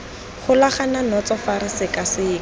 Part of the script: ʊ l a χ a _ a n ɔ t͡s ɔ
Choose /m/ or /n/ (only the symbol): n